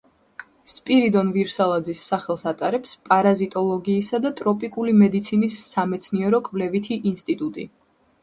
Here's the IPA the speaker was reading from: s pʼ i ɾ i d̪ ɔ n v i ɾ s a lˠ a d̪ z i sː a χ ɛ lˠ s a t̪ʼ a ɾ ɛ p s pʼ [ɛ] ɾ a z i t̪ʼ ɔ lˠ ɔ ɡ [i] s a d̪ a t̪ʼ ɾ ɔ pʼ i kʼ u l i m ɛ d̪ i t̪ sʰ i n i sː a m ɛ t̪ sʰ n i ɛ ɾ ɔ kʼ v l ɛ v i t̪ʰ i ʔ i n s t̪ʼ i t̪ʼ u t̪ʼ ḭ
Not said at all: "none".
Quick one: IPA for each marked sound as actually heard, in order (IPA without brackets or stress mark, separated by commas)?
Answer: a, iː